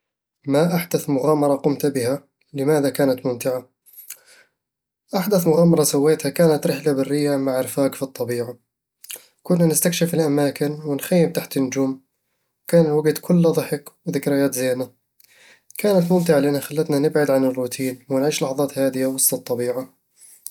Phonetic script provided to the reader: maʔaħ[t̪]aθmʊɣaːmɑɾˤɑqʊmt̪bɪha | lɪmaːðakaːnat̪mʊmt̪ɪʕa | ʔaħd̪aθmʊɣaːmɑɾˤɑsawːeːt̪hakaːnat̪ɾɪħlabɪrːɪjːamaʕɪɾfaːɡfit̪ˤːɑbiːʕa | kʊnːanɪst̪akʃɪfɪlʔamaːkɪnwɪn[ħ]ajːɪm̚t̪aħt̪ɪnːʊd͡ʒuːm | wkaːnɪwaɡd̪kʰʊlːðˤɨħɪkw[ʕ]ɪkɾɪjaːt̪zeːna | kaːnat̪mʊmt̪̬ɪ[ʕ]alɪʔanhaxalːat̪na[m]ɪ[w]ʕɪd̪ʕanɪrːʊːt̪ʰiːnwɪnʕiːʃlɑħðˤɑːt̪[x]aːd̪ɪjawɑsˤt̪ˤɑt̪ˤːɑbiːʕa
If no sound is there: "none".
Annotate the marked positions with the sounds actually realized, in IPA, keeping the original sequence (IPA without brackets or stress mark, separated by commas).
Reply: d̪, x, ð, ʕ, n, b, h